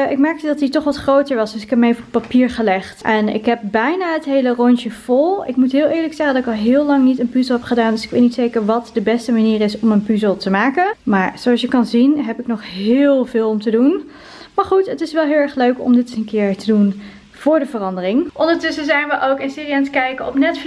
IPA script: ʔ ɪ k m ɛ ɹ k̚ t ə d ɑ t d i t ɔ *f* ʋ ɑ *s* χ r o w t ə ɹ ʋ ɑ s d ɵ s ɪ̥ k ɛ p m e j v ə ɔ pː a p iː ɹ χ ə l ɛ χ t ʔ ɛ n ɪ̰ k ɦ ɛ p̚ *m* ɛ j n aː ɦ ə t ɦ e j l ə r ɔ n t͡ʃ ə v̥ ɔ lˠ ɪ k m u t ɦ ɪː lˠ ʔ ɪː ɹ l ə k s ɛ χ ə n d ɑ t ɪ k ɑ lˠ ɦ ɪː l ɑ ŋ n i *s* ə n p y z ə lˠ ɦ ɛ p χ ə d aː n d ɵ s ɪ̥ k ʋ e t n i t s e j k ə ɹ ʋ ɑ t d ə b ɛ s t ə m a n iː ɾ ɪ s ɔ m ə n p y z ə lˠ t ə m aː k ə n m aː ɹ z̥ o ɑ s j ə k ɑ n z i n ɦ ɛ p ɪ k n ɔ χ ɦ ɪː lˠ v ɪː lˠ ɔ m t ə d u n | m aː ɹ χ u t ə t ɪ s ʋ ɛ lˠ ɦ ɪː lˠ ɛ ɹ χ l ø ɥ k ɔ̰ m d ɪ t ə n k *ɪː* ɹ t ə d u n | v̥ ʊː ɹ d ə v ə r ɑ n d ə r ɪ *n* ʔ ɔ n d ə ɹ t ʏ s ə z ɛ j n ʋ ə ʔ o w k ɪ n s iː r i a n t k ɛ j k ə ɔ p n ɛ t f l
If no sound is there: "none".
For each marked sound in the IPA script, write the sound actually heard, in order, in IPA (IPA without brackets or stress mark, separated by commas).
χ, t, b, t, ɪː, ŋ